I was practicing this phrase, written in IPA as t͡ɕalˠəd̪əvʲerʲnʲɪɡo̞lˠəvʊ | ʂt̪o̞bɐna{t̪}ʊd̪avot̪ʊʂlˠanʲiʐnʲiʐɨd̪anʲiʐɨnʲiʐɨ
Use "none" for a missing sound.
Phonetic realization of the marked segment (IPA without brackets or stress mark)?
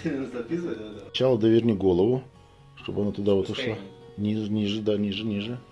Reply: t̪